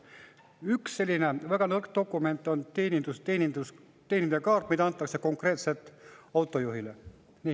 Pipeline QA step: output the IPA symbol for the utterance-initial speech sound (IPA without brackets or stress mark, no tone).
y